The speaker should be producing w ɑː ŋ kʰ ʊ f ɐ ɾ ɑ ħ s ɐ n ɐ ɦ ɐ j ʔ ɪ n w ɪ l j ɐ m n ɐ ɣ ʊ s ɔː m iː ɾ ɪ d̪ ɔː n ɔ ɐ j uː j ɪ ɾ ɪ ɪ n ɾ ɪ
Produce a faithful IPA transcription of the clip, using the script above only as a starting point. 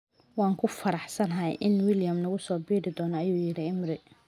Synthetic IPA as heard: w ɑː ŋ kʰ ʊ f ɐ ɾ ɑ ħ s ɐ n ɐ ɦ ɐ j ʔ ɪ n w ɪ l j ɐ m n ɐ ɣ ʊ s ɔː b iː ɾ ɪ d̪ ɔː n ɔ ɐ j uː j ɪ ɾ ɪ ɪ m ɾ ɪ